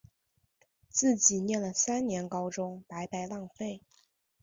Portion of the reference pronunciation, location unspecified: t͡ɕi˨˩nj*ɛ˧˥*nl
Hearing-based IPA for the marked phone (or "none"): ɛ˥˩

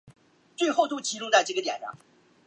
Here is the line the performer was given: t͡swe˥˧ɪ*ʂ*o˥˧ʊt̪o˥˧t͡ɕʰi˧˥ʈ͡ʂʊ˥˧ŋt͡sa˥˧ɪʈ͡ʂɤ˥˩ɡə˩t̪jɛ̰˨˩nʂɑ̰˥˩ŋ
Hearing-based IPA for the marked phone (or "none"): x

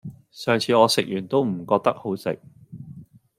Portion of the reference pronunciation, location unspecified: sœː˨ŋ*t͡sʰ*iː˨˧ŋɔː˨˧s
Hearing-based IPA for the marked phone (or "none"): t͡sʰ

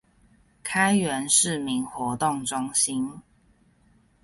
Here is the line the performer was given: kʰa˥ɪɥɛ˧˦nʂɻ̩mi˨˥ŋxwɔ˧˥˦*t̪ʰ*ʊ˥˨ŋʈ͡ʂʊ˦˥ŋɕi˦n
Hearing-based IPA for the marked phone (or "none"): t̪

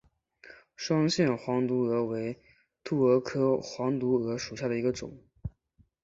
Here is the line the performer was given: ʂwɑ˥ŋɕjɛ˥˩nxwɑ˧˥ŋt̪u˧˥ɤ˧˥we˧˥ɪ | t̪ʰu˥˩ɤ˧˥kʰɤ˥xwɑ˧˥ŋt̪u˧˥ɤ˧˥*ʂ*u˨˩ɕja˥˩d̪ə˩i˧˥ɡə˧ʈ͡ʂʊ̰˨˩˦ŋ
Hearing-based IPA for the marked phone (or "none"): ʂ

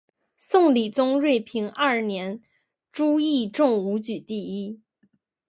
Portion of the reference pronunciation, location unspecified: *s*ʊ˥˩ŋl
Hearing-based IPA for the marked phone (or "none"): s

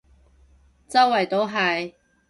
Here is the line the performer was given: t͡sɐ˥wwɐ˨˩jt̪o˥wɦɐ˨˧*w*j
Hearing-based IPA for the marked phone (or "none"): none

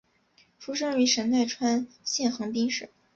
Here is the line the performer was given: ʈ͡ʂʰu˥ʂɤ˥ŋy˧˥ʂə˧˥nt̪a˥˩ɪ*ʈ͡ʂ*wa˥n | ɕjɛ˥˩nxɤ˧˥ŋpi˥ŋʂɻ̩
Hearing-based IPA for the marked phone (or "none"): ʈ͡ʂʰ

